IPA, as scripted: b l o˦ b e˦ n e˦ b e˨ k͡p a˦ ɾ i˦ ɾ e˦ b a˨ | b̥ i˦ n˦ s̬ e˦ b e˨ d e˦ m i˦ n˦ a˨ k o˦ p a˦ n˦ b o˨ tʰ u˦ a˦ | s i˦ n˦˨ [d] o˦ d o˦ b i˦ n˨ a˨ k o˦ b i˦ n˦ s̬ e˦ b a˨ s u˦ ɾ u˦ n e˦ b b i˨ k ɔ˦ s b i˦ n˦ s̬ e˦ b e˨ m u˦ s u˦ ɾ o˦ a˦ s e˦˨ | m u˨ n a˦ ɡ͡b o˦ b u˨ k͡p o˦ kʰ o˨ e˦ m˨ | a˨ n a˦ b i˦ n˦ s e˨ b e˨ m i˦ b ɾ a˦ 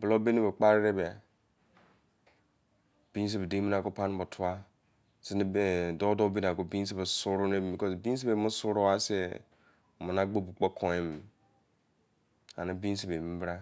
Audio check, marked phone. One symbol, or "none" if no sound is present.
d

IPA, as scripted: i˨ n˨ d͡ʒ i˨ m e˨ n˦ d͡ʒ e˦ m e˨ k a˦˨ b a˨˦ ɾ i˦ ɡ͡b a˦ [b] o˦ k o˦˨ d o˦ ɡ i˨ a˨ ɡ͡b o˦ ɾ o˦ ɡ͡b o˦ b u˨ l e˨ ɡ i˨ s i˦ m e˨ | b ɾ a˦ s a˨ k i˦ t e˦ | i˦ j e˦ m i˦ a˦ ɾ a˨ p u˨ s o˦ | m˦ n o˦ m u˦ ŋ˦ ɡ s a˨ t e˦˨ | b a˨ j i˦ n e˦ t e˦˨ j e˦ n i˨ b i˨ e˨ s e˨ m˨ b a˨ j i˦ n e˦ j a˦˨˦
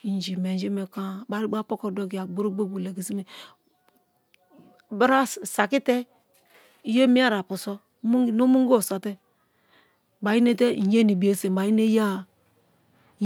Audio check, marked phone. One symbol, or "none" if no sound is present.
p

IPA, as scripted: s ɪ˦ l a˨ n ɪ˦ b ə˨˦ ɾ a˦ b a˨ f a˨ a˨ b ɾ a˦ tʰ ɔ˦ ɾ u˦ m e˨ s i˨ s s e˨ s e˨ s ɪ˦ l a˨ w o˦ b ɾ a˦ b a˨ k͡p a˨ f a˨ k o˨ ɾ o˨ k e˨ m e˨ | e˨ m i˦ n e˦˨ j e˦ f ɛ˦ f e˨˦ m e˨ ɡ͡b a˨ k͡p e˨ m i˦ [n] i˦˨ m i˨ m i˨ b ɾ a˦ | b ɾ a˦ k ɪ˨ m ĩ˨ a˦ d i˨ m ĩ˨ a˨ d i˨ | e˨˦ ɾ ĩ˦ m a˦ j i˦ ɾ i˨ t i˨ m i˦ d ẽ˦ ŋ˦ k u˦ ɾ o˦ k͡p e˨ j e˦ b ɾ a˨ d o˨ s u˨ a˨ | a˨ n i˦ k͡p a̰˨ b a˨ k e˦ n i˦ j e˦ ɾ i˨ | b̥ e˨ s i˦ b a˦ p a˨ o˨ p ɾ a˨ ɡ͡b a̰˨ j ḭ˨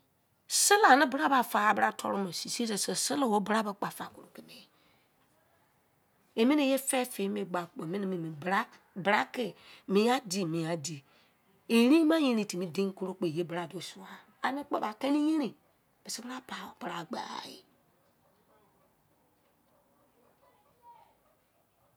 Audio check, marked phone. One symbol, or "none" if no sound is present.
n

